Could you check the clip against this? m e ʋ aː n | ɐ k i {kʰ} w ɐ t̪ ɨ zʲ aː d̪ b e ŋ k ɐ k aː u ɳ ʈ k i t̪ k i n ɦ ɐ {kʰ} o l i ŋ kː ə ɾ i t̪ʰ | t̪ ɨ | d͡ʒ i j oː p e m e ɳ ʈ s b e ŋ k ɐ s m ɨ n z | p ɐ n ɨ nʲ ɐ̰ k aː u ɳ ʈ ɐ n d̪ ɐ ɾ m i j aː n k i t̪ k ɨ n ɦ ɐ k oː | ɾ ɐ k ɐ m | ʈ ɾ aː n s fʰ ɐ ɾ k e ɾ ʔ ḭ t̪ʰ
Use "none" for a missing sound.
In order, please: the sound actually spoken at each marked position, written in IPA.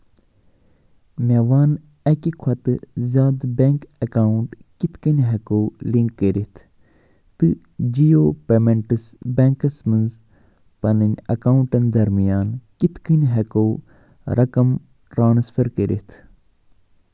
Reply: kʰ, k

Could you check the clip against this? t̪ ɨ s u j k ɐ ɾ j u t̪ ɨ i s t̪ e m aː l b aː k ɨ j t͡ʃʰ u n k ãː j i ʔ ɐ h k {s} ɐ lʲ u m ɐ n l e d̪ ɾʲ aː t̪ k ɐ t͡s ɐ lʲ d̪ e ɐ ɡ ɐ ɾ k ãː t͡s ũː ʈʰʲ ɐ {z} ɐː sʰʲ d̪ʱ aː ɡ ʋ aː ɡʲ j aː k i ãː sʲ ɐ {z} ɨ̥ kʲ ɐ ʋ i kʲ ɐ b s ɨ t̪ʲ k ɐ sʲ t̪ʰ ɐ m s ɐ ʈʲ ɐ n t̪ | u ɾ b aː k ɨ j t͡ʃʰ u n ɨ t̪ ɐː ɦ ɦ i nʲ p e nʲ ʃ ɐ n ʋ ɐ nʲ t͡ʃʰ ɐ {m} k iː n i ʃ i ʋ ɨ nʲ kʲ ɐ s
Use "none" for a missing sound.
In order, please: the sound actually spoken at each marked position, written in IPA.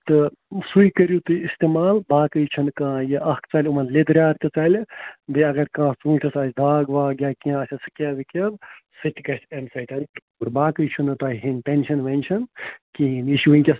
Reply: t͡s, s, s, n

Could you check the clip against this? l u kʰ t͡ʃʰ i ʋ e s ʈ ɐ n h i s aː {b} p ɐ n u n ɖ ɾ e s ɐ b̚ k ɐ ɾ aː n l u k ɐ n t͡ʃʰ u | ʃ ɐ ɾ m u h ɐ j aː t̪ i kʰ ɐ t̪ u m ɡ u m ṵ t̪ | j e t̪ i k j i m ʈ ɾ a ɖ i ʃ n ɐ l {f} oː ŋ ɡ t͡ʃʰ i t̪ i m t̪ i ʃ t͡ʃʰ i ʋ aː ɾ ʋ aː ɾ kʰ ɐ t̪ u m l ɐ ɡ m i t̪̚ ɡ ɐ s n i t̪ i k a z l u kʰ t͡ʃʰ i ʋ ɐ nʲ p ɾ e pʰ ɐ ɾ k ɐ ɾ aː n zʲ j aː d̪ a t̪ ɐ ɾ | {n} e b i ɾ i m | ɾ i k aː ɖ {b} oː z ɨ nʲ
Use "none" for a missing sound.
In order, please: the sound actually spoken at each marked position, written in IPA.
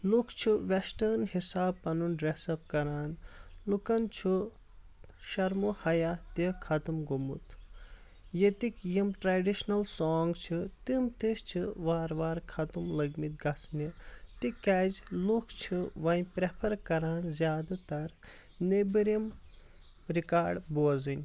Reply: b, s, n, b

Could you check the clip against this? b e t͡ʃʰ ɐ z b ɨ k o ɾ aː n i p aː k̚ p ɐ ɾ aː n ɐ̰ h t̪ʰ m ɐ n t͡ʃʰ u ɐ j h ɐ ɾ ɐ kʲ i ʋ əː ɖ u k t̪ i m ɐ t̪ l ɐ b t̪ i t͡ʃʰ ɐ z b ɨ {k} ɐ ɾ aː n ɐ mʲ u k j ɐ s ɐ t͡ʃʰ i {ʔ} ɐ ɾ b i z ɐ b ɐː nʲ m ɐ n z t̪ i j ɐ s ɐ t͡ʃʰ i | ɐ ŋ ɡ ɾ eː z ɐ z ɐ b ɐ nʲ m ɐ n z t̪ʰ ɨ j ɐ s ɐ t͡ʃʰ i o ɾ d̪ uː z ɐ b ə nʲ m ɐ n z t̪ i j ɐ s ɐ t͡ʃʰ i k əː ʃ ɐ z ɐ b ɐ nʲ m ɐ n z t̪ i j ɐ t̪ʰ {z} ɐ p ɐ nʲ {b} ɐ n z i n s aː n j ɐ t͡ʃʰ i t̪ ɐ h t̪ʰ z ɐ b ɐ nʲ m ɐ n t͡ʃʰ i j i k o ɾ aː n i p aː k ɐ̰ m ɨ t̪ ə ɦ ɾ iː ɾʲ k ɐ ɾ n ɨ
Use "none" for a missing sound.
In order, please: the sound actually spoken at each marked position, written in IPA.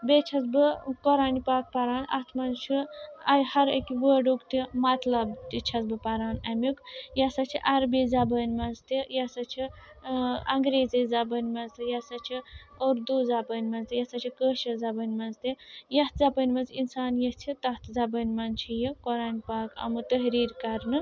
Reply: p, ʔ, z, m

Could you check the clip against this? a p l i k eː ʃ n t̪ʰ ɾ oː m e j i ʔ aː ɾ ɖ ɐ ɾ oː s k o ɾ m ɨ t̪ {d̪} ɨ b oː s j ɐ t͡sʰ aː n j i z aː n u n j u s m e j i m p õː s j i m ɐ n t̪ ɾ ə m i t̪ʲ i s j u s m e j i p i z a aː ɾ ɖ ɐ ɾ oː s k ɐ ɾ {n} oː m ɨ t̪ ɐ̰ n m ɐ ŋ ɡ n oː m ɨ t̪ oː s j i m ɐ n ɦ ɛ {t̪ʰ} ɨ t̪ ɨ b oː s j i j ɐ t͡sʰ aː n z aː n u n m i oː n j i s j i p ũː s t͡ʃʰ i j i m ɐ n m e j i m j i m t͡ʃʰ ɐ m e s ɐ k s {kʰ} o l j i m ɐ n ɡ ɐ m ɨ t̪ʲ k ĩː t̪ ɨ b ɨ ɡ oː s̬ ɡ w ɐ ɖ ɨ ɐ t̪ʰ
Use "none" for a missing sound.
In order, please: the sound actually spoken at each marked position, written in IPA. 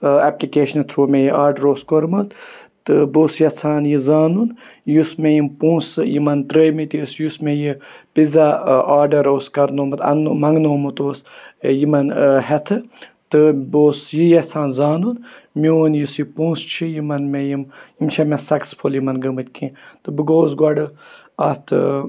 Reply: t̪, n, t̪ʰ, pʰ

